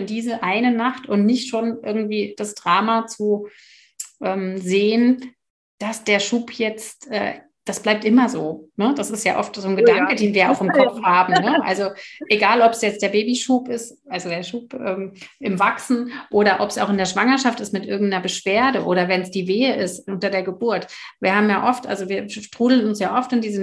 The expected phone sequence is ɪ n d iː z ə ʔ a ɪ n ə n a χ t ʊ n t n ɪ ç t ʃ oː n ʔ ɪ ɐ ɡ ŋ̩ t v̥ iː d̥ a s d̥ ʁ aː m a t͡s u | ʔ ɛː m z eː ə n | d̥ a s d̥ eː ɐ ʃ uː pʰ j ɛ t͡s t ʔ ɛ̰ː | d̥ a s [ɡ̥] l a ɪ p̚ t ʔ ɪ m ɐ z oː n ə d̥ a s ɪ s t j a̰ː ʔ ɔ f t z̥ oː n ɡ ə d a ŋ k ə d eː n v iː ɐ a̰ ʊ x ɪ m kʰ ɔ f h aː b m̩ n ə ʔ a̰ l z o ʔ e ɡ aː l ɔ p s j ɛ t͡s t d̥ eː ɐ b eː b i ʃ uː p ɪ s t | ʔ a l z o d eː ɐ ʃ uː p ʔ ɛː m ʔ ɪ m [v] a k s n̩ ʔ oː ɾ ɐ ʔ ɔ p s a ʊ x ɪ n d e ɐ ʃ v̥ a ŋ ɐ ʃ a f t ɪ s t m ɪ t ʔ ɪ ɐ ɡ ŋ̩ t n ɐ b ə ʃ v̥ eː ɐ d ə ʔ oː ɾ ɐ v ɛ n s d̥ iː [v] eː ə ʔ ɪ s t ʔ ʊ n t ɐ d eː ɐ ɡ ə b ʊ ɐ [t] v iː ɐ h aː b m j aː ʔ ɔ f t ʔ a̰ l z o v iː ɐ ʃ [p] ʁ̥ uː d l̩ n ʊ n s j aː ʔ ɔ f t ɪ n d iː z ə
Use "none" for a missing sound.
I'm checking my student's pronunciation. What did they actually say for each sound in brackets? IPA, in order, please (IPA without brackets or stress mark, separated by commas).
b̥, v, v, t, t